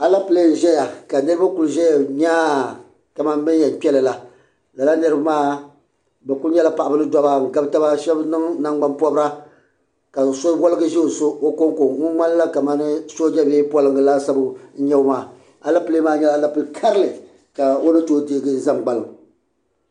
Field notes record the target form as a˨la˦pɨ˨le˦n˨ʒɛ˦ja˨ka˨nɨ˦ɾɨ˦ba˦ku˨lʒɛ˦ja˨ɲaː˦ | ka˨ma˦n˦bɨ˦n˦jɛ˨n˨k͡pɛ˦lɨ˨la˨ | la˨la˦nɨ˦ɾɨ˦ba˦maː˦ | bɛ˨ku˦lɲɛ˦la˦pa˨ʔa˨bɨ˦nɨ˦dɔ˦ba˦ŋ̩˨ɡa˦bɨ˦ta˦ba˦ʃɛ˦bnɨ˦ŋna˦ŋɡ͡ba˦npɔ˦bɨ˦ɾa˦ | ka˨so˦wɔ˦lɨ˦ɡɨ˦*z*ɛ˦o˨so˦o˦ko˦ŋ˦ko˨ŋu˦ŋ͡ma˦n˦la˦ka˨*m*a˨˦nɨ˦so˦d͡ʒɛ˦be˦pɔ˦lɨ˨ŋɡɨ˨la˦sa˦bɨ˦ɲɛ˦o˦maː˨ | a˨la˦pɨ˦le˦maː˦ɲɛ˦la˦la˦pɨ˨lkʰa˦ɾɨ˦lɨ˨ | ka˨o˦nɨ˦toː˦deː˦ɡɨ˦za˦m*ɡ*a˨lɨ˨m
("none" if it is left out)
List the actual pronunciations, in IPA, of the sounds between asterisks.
ʒ, m, ɡ͡b

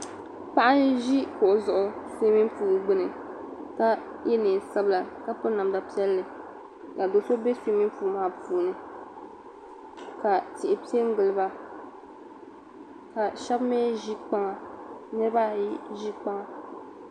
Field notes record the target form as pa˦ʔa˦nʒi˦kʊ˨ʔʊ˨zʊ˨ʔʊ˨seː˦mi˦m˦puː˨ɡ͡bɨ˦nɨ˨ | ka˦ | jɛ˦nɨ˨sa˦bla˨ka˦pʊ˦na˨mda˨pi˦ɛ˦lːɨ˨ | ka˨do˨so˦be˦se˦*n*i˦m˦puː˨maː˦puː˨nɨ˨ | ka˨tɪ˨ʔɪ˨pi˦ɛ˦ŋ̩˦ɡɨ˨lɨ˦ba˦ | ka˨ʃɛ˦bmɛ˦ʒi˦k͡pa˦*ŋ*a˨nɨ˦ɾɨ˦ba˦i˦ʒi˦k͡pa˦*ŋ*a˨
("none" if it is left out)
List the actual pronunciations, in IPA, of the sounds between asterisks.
m, ŋ, ŋ

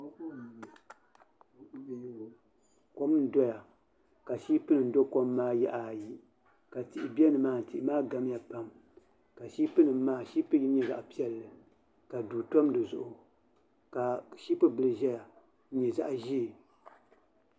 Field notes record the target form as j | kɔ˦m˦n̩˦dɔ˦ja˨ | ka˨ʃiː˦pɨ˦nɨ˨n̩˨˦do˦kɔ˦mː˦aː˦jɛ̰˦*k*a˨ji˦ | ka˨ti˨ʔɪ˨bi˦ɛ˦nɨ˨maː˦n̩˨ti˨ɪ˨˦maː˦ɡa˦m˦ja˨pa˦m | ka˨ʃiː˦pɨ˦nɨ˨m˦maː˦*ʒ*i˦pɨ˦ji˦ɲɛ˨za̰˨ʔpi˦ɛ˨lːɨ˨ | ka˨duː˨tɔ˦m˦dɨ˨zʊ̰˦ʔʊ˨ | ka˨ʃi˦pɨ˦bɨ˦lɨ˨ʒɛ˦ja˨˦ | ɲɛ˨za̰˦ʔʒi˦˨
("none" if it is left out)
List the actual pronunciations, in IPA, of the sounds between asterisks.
ʔ, ʃ

